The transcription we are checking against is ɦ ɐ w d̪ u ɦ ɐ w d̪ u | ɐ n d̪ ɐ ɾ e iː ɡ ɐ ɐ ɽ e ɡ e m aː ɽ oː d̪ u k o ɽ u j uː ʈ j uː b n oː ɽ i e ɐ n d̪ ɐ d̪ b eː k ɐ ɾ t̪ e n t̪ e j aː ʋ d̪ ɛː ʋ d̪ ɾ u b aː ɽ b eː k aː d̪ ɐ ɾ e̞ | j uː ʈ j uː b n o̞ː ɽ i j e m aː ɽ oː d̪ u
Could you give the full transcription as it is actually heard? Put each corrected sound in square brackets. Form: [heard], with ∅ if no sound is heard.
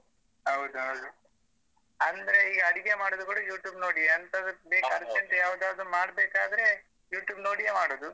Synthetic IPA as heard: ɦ ɐ w d̪ u ɦ ɐ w d̪ u | ɐ n d̪ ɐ ɾ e iː ɡ ɐ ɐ ɽ [i] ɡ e m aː ɽ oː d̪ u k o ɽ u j uː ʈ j uː b n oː ɽ i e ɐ n [t̪] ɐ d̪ b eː k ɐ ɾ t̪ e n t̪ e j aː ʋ d̪ [aː] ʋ d̪ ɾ u [m] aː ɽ b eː k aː d̪ ɐ ɾ e̞ | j uː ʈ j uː b n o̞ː ɽ i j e m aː ɽ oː d̪ u